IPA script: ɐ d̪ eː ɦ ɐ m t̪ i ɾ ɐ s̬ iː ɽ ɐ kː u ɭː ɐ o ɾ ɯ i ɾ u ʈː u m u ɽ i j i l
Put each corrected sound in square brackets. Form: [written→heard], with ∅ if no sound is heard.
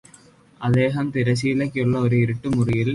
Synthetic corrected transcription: ɐ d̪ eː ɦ ɐ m t̪ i ɾ ɐ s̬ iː [ɽ→l] ɐ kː u ɭː ɐ o ɾ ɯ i ɾ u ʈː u m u [ɽ→r] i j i l